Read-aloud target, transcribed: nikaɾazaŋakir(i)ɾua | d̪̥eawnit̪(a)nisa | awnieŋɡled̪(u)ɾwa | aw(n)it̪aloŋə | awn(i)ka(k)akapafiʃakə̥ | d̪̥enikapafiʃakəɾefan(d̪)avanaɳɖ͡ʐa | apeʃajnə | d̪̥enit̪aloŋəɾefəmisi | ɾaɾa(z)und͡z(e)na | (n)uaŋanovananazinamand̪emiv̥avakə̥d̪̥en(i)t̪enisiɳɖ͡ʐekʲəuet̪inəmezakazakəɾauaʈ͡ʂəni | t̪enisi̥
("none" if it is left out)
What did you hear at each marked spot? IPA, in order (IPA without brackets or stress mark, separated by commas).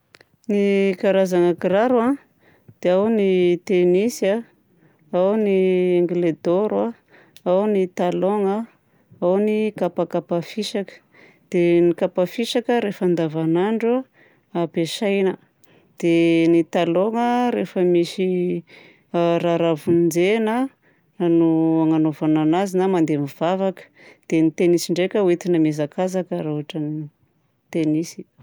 a, e, o, n, i, p, d̪, v, e, n, i